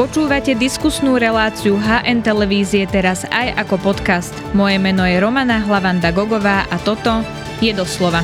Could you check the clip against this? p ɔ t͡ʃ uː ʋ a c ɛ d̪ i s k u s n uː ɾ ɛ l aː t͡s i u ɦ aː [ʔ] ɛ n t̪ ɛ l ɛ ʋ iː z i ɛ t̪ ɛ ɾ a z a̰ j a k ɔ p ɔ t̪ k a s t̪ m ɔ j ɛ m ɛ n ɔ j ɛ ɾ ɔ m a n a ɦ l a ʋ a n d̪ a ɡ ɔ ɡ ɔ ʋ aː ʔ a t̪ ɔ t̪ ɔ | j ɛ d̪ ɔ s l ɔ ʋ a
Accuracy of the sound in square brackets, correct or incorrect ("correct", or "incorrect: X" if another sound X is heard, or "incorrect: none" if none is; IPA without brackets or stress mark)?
correct